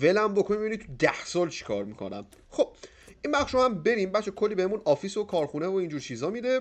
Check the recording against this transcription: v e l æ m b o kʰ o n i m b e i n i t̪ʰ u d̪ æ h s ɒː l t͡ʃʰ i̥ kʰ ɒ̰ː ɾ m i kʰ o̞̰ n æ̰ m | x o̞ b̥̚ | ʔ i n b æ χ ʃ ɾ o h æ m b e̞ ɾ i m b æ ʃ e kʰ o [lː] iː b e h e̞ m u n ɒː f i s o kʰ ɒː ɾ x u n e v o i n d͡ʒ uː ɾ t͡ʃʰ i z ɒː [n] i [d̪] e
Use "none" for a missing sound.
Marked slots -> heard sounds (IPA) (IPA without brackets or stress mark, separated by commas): lː, m, d̪